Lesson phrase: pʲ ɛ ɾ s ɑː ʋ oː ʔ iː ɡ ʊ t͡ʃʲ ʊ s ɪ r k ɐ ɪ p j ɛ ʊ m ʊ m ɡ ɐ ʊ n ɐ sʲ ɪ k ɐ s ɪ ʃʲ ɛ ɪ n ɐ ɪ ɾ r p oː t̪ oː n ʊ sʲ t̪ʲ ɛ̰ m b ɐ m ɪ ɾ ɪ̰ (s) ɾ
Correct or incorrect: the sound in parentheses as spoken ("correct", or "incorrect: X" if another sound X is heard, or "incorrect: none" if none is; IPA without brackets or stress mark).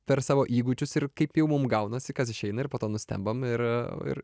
incorrect: none